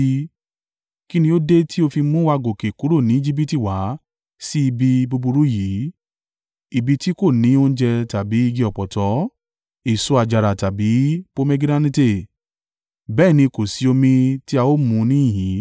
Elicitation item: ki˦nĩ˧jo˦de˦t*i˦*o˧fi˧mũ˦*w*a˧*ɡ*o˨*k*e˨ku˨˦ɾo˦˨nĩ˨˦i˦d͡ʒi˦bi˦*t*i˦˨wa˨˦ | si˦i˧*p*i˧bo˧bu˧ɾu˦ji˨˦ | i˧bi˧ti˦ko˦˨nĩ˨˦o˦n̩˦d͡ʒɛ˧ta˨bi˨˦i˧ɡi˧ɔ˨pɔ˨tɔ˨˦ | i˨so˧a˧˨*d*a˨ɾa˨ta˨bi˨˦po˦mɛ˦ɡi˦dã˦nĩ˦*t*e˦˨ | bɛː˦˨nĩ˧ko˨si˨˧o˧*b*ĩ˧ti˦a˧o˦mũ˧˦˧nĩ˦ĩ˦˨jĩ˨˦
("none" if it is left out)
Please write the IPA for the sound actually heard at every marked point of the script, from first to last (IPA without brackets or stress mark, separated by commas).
i˦, w, ɡ, k, t, b, d͡ʒ, t, m